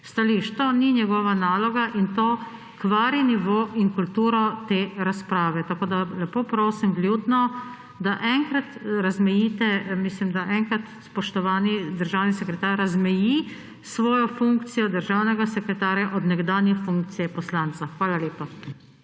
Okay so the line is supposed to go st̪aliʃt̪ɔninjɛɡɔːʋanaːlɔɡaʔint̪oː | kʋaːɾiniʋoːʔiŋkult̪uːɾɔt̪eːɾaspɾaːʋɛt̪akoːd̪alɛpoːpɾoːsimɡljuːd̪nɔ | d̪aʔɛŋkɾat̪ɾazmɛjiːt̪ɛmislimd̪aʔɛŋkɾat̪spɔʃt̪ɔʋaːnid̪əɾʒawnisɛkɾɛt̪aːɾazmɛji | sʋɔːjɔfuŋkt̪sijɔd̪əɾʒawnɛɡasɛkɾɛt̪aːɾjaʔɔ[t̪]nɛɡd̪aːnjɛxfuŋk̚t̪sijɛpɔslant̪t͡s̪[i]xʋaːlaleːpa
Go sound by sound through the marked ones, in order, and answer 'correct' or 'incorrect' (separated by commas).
incorrect, incorrect